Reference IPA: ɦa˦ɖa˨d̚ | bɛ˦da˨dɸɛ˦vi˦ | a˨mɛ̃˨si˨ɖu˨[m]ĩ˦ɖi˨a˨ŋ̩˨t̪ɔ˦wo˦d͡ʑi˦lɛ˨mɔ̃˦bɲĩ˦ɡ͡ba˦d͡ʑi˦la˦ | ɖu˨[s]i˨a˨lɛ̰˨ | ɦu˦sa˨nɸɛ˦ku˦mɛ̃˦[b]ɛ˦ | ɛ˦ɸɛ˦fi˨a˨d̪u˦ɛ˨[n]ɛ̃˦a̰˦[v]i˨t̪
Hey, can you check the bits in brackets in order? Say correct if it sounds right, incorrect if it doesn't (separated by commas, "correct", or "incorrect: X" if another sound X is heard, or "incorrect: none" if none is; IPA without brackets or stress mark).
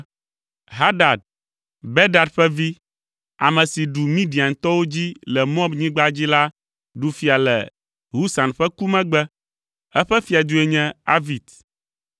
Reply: correct, incorrect: f, incorrect: ɡ͡b, incorrect: ɲ, correct